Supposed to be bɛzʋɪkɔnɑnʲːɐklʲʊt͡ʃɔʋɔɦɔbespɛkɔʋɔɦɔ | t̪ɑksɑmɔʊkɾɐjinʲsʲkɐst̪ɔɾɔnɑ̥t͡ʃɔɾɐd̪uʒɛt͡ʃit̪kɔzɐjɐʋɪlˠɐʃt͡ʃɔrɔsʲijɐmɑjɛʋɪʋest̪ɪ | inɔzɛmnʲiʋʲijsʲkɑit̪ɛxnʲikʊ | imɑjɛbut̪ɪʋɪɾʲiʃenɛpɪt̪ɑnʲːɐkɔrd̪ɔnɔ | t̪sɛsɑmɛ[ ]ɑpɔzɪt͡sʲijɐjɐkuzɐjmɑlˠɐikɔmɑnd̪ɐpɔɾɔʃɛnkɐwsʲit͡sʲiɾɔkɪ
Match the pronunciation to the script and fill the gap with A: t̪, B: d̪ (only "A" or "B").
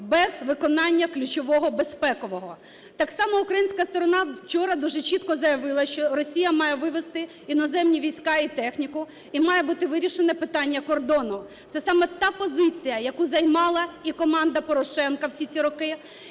A